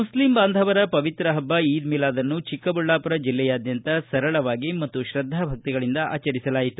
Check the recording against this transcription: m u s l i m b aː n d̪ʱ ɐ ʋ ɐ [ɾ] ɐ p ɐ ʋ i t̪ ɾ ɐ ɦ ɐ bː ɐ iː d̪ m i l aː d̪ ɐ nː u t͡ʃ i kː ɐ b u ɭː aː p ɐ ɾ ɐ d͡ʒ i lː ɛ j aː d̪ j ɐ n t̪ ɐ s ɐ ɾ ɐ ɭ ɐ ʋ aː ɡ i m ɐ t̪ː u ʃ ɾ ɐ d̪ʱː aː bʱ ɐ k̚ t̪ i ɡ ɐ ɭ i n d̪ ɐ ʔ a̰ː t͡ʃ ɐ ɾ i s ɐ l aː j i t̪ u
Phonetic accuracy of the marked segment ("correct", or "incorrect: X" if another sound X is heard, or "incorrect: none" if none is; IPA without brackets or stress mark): correct